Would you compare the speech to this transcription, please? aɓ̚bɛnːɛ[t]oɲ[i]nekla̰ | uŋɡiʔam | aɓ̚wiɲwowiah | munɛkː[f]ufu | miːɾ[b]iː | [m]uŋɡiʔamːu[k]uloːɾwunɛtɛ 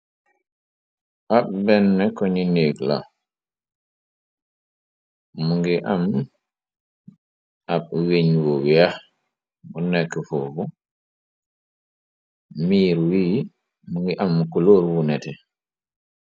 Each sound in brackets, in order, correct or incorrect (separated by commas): incorrect, correct, correct, incorrect, correct, correct